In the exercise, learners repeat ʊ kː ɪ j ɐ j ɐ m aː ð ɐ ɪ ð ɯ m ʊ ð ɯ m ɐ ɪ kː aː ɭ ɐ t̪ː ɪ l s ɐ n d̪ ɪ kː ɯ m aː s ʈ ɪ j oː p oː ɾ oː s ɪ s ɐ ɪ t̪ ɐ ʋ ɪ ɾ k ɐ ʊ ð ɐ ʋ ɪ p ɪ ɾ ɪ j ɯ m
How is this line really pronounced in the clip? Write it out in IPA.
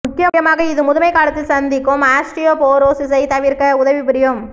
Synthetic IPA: ʊ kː ɪ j ɐ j ɐ m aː ɣ ɐ ɪ ð ɯ m ʊ ð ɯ m ɐ ɪ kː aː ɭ ɐ t̪ː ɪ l s ɐ n d̪ ɪ kː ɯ m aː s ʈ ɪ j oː p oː ɾ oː s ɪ s ɐ ɪ t̪ ɐ ʋ ɪ ɾ k ɐ ʊ ð ɐ ʋ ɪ p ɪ ɾ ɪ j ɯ m